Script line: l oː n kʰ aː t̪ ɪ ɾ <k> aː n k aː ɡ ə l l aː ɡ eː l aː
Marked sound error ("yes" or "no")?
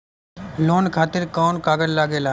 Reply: no